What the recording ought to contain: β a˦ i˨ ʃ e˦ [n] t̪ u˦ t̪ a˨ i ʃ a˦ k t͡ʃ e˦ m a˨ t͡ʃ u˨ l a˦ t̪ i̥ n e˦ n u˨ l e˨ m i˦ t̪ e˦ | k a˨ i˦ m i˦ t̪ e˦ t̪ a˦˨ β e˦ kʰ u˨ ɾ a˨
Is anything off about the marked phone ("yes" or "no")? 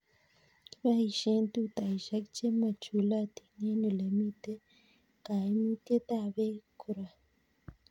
no